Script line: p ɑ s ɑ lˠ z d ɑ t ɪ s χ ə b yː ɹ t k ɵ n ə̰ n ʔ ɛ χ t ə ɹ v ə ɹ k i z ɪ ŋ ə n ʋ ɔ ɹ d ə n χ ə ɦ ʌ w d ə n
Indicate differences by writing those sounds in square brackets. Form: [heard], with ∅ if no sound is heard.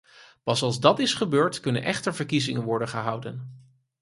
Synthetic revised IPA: p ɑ s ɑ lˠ z d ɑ t ɪ s χ ə b [øː] ɹ t k ɵ n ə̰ n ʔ ɛ χ t ə ɹ v ə ɹ k i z ɪ ŋ ə n ʋ ɔ ɹ d ə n χ ə ɦ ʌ w d ə n

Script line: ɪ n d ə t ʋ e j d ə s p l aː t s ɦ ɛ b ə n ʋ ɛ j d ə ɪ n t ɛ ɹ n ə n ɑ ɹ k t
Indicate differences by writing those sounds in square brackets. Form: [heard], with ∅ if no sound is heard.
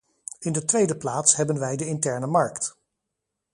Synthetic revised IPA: ɪ n d ə t ʋ e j d ə [∅] p l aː t s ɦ ɛ b ə n ʋ ɛ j d ə ɪ n t ɛ ɹ n ə [m] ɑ ɹ k t

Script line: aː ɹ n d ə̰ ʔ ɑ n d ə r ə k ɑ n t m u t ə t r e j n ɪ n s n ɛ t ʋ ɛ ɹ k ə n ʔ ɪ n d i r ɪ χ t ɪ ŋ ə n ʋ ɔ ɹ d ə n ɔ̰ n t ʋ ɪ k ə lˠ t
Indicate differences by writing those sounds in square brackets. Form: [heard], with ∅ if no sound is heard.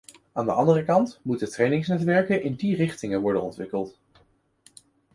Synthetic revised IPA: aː [∅] n d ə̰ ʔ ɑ n d ə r ə k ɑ n t m u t ə t r e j n ɪ [ŋ] s n ɛ t ʋ ɛ ɹ k ə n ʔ ɪ n d i r ɪ χ t ɪ ŋ ə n ʋ ɔ ɹ d ə n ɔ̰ n t ʋ ɪ k ə lˠ t

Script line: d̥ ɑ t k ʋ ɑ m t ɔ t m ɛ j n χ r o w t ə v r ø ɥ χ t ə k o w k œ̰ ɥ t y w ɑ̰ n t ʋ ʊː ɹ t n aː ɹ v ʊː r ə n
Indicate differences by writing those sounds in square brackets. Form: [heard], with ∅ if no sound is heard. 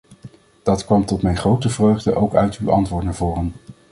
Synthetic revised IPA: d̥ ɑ t k ʋ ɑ m t ɔ t m ɛ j n χ r o w t ə v r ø ɥ χ [d] ə [ʔ] o w k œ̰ ɥ t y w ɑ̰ n t ʋ ʊː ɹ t n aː ɹ v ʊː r ə n

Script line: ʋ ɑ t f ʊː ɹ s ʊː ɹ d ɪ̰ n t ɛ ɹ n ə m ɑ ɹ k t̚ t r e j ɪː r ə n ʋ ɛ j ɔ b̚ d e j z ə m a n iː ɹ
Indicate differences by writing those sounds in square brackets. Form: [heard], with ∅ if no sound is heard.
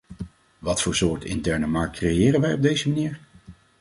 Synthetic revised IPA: ʋ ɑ t f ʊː ɹ s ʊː ɹ [t] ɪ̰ n t ɛ ɹ n ə m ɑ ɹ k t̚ [k] r e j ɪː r ə n ʋ ɛ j ɔ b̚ d e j z ə m a n iː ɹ

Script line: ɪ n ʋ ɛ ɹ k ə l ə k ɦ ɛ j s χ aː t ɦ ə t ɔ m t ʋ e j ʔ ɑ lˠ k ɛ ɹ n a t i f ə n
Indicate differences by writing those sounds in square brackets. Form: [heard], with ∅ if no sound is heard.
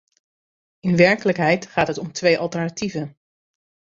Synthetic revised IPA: ɪ n ʋ ɛ ɹ k ə l ə k ɦ ɛ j [t] χ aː t ɦ ə t ɔ m t ʋ e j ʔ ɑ lˠ [t] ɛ ɹ n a t i [v] ə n

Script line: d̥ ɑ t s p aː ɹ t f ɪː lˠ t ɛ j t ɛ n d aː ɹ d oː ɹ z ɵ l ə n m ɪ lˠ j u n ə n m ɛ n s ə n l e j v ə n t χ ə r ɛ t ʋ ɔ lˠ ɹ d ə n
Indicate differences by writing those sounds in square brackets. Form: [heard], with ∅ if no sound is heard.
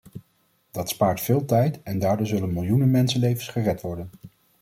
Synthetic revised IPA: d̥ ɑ t s p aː ɹ t f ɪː lˠ t ɛ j t ɛ n d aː ɹ d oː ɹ z ɵ l ə n m ɪ lˠ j u n ə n m ɛ n s ə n l e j v ə n [s] χ ə r ɛ t ʋ ɔ [∅] ɹ d ə n

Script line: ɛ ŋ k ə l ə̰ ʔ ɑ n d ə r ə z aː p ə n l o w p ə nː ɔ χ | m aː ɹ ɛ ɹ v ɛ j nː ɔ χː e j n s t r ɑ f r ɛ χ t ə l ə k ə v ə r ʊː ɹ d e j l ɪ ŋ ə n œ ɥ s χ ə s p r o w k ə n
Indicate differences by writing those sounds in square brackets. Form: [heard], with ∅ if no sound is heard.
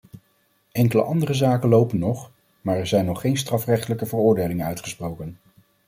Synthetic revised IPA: ɛ ŋ k ə l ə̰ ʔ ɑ n d ə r ə z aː [k] ə n l o w p ə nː ɔ χ | m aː ɹ ɛ ɹ [z] ɛ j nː ɔ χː e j n s t r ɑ f r ɛ χ t ə l ə k ə v ə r ʊː ɹ d e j l ɪ ŋ ə n œ ɥ [t] χ ə s p r o w k ə n

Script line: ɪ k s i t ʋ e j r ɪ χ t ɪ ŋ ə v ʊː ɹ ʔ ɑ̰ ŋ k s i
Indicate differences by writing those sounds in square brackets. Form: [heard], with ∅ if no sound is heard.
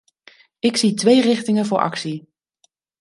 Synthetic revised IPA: ɪ k s i t ʋ e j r ɪ χ t ɪ ŋ ə v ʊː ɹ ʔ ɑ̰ [∅] k s i

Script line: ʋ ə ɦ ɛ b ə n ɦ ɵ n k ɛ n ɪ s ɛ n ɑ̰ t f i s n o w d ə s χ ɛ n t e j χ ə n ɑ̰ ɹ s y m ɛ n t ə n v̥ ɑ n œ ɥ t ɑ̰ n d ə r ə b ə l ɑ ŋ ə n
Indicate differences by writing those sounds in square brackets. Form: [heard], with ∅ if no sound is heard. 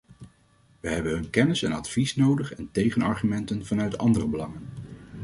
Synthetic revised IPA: ʋ ə ɦ ɛ b ə n ɦ ɵ n k ɛ n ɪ s ɛ n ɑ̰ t f i s n o w d ə [∅] χ ɛ n t e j χ ə n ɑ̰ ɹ [χ] y m ɛ n t ə n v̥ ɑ n œ ɥ t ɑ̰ n d ə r ə b ə l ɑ ŋ ə n

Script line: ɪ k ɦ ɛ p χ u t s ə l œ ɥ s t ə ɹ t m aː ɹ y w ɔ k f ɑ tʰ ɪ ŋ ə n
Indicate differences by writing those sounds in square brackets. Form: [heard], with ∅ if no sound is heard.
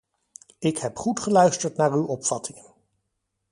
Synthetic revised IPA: ɪ k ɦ ɛ p χ u t [χ] ə l œ ɥ s t ə ɹ t [n] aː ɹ y w ɔ [p] f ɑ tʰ ɪ ŋ ə n

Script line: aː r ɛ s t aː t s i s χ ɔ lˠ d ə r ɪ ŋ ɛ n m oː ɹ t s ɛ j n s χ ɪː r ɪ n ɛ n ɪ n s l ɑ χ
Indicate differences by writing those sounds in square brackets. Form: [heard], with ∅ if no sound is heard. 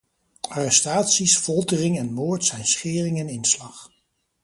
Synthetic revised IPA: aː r ɛ s t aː t s i s [f] ɔ lˠ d ə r ɪ ŋ ɛ n m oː ɹ t s ɛ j n s χ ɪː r ɪ [ŋ] ɛ n ɪ n s l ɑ χ

